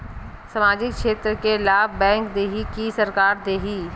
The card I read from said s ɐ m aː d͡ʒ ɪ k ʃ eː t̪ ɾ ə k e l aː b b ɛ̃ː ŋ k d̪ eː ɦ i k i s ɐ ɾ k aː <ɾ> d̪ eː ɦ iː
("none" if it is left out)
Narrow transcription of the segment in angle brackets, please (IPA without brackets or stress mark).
ɾ